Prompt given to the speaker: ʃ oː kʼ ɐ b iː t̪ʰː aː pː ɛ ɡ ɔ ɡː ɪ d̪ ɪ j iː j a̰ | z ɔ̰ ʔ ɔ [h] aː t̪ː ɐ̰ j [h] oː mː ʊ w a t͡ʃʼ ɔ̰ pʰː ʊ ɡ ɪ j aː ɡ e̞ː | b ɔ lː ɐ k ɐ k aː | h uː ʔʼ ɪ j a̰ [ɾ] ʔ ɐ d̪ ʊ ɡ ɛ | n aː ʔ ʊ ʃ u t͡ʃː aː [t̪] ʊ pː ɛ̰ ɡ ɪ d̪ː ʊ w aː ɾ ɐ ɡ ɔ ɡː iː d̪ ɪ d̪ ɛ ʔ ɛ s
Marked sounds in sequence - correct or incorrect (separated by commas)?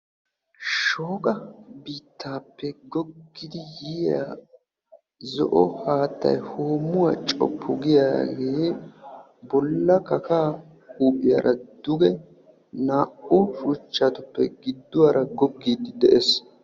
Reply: correct, correct, correct, correct